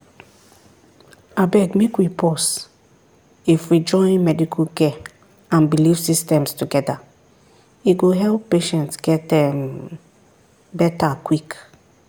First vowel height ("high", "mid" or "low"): low